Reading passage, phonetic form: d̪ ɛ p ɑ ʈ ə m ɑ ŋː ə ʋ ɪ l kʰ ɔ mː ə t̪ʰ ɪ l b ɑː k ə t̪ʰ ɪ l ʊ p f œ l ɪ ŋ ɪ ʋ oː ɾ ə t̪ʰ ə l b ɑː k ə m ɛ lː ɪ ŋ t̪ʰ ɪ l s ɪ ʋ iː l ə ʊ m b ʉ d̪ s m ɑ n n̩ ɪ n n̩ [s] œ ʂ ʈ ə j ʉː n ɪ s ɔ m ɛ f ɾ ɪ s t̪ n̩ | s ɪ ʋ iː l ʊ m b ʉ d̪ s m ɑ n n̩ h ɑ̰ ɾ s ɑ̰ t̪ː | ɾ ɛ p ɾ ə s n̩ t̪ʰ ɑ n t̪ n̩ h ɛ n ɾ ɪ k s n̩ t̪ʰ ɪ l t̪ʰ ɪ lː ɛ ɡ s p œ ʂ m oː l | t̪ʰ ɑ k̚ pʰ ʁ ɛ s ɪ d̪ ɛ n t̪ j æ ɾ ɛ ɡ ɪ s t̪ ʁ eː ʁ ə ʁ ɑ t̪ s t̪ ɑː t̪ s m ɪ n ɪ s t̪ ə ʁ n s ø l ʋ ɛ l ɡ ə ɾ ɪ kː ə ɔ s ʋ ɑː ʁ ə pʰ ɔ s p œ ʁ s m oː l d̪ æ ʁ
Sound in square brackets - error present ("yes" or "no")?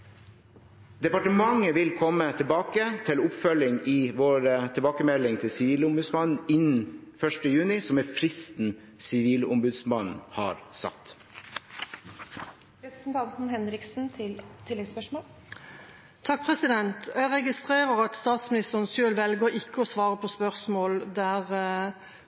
yes